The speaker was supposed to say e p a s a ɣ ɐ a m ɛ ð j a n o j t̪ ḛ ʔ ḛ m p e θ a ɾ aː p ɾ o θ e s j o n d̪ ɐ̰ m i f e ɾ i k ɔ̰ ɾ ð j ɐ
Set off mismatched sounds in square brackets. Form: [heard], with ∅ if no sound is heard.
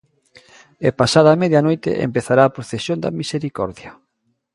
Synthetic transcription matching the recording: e p a s a [ð] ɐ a m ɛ ð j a n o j t̪ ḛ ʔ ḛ m p e θ a ɾ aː p ɾ o θ e s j o n d̪ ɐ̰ m i [s] e ɾ i k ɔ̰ ɾ ð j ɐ

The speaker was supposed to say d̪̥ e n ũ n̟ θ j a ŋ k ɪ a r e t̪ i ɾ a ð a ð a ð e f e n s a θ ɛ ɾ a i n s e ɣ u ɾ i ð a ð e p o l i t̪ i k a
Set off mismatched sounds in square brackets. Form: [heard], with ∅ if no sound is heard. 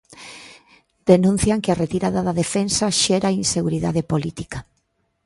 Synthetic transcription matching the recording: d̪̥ e n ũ n̟ θ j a ŋ k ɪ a r e t̪ i ɾ a ð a ð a ð e f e n s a [ʃ] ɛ ɾ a i n s e ɣ u ɾ i ð a ð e p o l i t̪ i k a

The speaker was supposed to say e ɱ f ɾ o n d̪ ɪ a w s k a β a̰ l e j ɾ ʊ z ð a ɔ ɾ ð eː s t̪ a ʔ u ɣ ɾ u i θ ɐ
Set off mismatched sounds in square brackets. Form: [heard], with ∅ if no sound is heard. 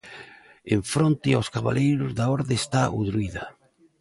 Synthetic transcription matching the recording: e ɱ f ɾ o n [t̪] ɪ a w s k a β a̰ l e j ɾ ʊ z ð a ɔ ɾ ð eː s t̪ a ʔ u [ð] ɾ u i [ð] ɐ

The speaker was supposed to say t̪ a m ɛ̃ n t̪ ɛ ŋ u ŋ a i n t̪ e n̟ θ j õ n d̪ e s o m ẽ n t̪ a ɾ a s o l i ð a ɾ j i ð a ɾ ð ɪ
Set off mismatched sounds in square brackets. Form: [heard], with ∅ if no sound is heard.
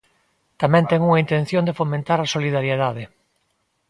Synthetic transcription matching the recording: t̪ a m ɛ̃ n t̪ ɛ ŋ u ŋ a i n t̪ e n̟ θ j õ n d̪ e [f] o m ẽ n t̪ a ɾ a s o l i ð a ɾ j [e] ð a [∅] ð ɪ

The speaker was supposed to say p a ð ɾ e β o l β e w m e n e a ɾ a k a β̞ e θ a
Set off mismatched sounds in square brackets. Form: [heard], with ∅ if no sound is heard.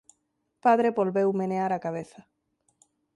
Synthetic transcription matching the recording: p a ð ɾ e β o l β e w m e n e a ɾ a k a β̞ e θ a

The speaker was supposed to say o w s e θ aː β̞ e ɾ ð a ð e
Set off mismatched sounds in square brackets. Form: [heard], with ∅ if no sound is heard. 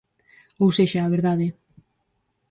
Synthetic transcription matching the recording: o w s e [ʃ] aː β̞ e ɾ ð a ð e

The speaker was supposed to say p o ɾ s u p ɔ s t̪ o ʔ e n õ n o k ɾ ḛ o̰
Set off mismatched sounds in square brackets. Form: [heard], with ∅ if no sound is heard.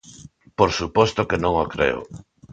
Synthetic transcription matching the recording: p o ɾ s u p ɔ s t̪ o [k] e n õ [ŋ] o k ɾ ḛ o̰

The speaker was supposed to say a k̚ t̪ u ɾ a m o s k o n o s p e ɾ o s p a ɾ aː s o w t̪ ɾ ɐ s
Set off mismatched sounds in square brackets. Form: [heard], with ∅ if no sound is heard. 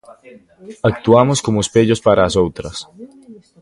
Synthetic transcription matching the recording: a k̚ t̪ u [∅] a m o s k o [m] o s p e [ʎ] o s p a ɾ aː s o w t̪ ɾ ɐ s

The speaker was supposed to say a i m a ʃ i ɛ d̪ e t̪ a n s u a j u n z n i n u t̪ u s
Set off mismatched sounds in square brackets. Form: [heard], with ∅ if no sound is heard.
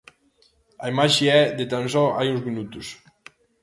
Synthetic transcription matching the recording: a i m a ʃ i ɛ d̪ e t̪ a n s [ɔ] a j u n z [m] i n u t̪ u s

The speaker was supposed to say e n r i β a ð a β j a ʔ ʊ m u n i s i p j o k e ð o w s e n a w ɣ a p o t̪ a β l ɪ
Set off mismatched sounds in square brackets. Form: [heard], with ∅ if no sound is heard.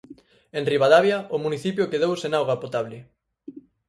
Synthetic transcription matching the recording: e n r i β a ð a β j a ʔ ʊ m u n i [θ] i p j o k e ð o w s e n a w ɣ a p o t̪ a β l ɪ

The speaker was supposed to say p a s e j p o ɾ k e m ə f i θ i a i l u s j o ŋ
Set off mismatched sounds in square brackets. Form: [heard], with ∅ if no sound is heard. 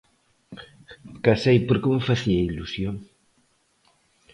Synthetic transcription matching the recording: [k] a s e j p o ɾ k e m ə f [a] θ i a i l u s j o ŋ

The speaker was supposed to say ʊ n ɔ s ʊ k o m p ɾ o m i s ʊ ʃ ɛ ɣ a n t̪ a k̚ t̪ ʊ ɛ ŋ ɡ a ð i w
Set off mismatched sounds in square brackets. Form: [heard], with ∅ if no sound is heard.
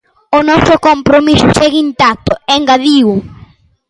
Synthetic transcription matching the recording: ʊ n ɔ s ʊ k o m p ɾ o m i s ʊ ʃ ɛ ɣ [i] n t̪ a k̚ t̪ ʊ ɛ ŋ ɡ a ð i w

